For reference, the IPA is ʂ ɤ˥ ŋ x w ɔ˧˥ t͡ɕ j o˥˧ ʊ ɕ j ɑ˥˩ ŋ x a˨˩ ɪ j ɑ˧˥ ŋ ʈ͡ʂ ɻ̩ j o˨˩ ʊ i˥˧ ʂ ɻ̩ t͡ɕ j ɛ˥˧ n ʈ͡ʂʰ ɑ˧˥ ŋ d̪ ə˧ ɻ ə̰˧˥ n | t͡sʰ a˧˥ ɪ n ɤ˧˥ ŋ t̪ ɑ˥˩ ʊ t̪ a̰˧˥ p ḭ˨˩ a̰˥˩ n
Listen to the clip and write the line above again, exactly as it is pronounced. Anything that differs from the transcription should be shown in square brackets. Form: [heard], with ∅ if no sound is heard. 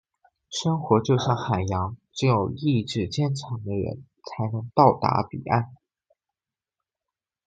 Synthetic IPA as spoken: ʂ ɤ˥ ŋ x w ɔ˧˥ t͡ɕ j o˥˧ ʊ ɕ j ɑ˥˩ ŋ x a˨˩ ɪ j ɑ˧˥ ŋ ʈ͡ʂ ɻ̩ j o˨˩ ʊ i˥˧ [ʈ͡ʂ] ɻ̩ t͡ɕ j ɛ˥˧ n ʈ͡ʂʰ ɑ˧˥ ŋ d̪ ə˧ ɻ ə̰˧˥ n | t͡sʰ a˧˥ ɪ n ɤ˧˥ ŋ t̪ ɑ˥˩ ʊ t̪ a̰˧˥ p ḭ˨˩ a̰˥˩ n